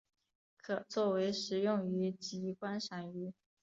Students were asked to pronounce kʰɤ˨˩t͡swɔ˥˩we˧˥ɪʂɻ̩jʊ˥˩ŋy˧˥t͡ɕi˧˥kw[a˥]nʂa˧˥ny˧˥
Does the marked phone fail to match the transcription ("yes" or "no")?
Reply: no